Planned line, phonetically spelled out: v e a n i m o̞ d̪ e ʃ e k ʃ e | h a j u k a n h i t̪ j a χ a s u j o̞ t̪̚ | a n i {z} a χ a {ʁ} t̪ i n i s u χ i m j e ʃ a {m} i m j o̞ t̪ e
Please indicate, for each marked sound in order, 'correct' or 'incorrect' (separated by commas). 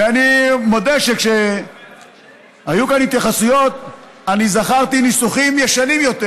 correct, correct, incorrect